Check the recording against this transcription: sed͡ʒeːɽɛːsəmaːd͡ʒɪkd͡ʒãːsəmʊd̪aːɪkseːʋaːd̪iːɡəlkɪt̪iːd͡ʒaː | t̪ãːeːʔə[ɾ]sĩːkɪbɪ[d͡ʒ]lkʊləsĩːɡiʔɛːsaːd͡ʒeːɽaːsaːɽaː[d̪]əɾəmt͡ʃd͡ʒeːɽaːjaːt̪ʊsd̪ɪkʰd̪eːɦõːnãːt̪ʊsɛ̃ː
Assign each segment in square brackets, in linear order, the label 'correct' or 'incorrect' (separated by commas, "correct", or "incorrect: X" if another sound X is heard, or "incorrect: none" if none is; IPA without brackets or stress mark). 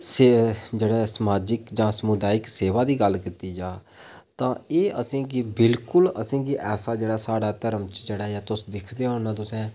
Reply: incorrect: none, incorrect: none, incorrect: t̪